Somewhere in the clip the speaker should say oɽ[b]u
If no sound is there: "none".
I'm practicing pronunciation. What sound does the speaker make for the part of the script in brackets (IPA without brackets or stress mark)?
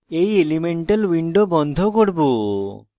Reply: b